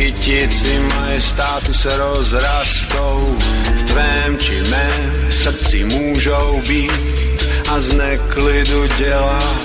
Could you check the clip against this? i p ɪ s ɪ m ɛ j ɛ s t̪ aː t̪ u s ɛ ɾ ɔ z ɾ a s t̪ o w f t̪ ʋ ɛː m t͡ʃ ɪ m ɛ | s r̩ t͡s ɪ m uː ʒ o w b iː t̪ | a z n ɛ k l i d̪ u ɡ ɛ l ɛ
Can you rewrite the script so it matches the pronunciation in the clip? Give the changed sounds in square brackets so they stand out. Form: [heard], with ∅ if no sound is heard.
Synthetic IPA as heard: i [c] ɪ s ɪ m [a] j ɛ s t̪ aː t̪ u s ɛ ɾ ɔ z ɾ a s t̪ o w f t̪ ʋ ɛː m t͡ʃ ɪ m ɛ | s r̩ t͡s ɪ m uː ʒ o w b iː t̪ | a z n ɛ k l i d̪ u [ɟ] ɛ l [a]